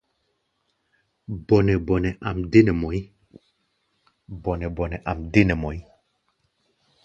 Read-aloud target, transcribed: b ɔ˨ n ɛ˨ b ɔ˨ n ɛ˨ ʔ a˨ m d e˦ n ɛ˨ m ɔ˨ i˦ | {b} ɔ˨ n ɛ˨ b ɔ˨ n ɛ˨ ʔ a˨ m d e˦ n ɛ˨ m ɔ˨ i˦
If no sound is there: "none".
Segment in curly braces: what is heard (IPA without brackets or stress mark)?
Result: b